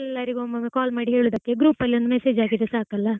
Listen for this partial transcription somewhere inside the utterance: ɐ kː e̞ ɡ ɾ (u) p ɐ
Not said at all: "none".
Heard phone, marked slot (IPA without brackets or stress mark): uː